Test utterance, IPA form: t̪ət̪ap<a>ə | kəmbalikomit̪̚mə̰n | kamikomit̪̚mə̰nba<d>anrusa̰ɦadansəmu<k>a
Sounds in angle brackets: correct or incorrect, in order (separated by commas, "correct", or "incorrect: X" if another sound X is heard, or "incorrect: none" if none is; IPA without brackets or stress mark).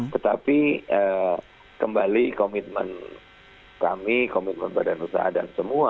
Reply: incorrect: i, correct, incorrect: none